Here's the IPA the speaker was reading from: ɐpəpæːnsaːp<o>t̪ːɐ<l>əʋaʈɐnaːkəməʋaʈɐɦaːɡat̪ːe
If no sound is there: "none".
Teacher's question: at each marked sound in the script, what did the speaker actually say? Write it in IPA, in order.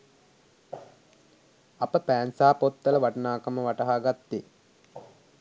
o, l

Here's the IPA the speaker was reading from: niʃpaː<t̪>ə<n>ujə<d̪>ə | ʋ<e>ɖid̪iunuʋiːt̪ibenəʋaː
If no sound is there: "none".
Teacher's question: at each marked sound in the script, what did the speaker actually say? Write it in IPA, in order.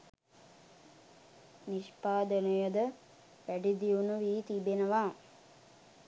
d̪, n, d̪, æ

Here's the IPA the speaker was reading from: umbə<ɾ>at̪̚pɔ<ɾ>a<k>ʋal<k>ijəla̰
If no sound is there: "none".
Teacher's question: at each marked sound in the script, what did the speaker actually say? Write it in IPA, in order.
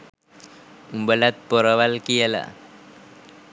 l, ɾ, none, k

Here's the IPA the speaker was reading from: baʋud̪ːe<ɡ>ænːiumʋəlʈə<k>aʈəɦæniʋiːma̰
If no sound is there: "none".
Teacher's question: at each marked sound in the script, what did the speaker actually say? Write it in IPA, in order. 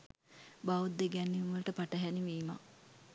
ɡ, p

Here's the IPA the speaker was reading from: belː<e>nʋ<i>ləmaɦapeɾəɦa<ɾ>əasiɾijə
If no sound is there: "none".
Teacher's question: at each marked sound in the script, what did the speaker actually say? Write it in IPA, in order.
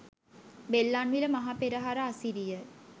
a, i, ɾ

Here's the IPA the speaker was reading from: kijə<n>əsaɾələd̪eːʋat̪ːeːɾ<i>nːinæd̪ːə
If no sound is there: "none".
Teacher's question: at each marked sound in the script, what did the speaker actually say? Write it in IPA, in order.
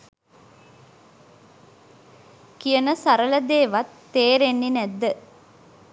n, e

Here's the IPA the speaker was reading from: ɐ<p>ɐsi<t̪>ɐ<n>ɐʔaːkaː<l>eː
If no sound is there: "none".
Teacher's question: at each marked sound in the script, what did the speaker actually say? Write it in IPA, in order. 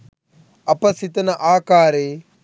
p, t̪, n, ɾ

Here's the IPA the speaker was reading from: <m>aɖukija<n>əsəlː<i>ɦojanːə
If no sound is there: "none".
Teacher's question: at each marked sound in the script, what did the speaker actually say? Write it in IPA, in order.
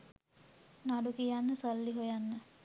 n, nː, i

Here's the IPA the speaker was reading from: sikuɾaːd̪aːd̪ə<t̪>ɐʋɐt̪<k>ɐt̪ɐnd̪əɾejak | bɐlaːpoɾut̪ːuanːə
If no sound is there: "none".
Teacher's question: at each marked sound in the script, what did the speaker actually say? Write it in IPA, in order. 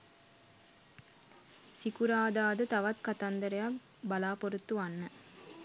t̪, k

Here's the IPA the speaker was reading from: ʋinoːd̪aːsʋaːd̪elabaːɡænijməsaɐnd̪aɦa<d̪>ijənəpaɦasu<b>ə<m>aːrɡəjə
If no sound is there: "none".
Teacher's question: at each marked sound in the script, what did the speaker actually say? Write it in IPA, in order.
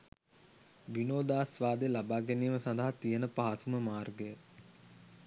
t̪, m, m

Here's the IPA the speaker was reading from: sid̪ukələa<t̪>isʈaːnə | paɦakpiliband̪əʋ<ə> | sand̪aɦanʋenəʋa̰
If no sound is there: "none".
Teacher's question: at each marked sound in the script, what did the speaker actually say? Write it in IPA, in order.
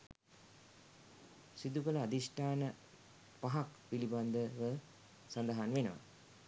d̪, ə

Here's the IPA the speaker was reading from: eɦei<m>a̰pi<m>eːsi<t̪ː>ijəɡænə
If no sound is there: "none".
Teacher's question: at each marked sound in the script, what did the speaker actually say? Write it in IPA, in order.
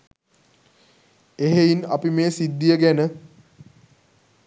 n, m, d̪ː

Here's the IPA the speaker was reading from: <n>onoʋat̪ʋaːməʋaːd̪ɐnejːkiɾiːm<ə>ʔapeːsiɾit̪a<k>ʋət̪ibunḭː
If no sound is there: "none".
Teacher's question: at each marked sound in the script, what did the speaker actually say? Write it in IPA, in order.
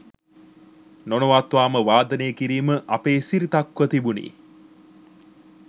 n, ə, k

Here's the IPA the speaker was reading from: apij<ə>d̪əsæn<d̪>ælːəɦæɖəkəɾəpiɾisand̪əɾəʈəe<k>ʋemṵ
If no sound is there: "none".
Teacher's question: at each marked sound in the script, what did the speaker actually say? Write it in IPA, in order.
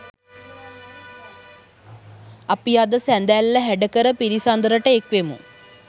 a, d̪, k

